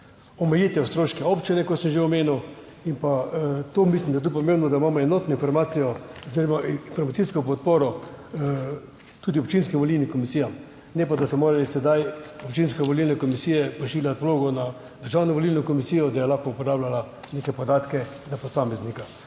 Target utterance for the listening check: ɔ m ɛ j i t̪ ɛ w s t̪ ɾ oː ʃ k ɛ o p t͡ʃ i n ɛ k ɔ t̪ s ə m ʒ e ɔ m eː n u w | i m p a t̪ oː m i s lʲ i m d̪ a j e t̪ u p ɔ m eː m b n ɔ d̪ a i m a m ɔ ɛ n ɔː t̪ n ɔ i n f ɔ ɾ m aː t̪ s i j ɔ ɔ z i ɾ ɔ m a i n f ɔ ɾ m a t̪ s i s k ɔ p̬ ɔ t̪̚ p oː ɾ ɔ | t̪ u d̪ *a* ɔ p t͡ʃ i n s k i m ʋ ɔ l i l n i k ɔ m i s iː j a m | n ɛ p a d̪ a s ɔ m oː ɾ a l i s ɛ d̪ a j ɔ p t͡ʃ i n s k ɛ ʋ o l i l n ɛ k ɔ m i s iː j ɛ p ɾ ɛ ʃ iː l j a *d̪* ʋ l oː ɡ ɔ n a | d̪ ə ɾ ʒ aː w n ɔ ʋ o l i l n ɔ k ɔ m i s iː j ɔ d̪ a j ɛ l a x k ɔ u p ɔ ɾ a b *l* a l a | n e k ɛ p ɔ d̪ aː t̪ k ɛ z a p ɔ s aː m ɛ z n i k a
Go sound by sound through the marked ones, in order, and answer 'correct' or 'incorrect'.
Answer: incorrect: i, incorrect: t̪, correct

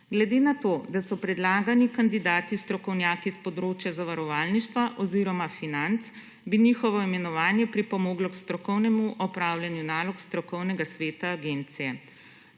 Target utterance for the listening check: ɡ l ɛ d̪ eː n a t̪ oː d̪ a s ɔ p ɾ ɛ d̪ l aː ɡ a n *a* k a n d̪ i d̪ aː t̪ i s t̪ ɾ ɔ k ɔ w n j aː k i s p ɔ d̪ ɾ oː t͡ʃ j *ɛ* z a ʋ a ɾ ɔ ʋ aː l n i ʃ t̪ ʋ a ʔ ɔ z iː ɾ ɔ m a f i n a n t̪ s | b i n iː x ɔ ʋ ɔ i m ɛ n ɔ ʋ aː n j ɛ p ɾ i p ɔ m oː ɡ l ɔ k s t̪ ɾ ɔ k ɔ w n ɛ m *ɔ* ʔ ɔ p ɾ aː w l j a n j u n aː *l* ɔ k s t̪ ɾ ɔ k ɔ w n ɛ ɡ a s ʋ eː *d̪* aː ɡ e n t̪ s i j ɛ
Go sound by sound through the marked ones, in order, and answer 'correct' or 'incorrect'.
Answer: incorrect: i, incorrect: a, incorrect: u, correct, incorrect: t̪

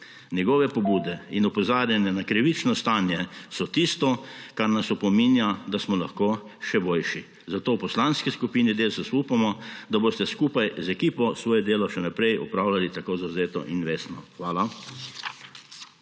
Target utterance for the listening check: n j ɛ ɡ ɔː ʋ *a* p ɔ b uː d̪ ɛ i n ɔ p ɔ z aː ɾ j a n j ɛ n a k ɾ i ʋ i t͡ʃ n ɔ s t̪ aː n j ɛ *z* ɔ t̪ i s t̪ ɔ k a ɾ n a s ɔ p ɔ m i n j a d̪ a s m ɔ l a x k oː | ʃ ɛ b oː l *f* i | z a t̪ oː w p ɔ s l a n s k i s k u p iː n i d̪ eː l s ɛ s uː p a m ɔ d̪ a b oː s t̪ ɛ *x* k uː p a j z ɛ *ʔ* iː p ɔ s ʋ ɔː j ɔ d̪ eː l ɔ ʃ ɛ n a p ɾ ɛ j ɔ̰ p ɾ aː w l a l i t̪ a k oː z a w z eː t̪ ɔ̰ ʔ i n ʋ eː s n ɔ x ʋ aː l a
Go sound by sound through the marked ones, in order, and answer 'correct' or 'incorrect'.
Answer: incorrect: ɛ, incorrect: s, incorrect: ʃ, incorrect: s, incorrect: k

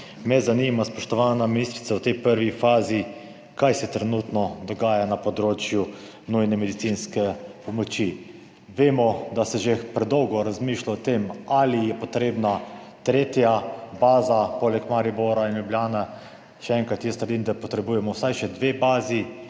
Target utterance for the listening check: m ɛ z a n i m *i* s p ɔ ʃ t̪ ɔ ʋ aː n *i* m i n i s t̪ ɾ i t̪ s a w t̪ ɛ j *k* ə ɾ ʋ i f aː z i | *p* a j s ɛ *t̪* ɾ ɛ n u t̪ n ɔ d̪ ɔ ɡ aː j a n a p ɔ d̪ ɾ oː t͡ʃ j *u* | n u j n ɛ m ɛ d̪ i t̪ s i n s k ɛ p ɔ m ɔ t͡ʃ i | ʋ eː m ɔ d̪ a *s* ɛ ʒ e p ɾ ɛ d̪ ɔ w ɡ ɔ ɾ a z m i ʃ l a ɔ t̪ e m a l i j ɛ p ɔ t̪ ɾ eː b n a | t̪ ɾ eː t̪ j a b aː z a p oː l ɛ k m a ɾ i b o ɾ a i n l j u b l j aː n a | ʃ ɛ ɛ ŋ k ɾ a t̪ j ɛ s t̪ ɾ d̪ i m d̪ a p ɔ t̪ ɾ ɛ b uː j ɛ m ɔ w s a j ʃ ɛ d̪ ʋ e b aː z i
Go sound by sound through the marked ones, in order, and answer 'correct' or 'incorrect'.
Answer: incorrect: a, incorrect: a, incorrect: p, incorrect: k, correct, correct, correct

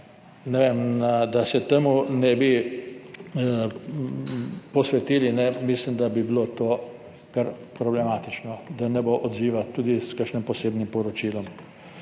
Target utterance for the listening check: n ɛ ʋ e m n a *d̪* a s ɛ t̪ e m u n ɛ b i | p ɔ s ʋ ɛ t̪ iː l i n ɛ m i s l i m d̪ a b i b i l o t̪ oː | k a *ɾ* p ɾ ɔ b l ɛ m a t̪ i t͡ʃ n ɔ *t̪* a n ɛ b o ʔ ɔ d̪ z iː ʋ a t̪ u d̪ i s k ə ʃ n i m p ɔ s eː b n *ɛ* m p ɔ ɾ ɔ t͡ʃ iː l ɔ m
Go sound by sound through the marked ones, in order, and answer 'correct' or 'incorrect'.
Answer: correct, correct, incorrect: d̪, incorrect: i

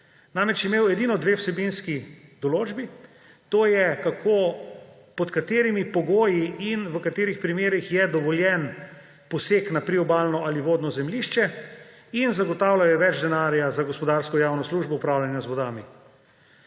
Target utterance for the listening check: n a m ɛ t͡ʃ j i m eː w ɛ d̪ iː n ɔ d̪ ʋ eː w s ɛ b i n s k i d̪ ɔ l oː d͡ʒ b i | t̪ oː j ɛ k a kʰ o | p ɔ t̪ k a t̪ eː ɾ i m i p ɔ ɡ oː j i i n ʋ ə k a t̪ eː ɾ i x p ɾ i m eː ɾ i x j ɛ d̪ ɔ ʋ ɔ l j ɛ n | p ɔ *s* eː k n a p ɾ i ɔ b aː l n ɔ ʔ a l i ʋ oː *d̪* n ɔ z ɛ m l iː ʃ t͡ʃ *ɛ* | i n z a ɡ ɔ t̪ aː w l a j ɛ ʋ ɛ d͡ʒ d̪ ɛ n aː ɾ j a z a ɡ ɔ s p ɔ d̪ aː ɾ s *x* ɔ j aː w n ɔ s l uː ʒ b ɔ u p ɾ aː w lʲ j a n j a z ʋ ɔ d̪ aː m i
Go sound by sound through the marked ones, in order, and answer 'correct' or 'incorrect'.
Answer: correct, correct, correct, incorrect: k

